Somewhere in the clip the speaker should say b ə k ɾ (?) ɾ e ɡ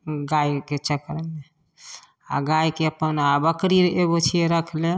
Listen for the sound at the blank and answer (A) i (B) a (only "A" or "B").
A